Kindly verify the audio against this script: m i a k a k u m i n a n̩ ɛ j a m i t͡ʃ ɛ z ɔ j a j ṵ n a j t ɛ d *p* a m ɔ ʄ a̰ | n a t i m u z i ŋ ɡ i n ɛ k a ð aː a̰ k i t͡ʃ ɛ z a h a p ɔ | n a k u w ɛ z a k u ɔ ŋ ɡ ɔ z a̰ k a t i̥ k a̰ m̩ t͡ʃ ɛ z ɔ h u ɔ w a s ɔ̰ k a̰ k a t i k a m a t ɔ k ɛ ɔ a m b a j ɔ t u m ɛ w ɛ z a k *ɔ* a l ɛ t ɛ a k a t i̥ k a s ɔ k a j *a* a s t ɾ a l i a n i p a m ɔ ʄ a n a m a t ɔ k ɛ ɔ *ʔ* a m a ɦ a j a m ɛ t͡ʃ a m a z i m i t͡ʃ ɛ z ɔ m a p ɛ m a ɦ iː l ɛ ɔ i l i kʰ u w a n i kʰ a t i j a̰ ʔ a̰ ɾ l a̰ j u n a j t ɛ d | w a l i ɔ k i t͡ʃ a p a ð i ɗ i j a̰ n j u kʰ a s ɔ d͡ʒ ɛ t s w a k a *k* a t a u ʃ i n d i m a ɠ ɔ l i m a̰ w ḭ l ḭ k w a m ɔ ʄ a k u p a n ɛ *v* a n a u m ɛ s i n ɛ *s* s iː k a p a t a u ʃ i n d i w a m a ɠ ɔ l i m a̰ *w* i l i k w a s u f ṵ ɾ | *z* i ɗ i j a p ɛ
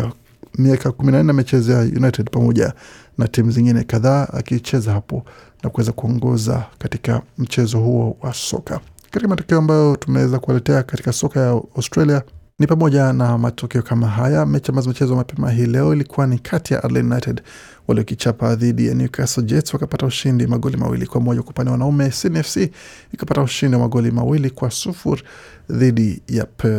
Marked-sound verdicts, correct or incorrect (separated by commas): correct, incorrect, correct, incorrect, incorrect, incorrect, incorrect, correct, incorrect